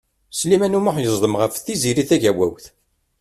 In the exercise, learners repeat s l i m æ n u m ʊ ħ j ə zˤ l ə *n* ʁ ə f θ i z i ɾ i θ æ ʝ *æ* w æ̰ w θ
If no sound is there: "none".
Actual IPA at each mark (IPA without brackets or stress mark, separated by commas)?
m, æ